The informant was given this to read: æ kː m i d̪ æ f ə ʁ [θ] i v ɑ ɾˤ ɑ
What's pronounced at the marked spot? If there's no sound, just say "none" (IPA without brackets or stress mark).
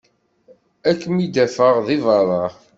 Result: ð